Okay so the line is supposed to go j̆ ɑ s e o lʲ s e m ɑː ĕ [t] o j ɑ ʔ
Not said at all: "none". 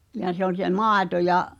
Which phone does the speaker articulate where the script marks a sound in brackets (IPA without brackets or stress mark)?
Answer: t